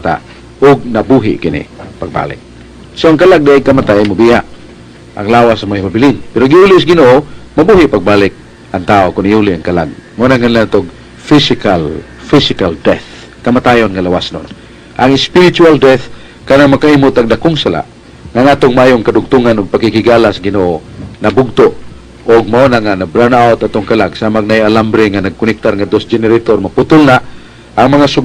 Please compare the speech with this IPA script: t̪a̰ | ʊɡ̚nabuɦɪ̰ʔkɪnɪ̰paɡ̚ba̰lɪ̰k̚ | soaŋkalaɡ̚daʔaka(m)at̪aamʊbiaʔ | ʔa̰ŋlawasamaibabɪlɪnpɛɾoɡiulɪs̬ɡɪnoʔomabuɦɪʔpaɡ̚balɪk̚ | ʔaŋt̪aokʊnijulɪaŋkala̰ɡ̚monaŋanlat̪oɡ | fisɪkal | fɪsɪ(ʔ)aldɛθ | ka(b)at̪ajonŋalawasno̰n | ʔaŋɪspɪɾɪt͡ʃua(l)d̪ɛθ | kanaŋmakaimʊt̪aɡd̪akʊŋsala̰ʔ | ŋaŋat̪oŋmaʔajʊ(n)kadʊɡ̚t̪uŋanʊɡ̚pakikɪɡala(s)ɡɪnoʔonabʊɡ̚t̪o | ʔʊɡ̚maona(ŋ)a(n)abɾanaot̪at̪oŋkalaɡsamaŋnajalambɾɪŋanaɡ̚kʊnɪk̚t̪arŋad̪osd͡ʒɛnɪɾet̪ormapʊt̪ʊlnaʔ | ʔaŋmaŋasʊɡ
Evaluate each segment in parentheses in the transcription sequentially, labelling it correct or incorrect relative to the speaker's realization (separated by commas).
correct, incorrect, incorrect, correct, incorrect, correct, correct, correct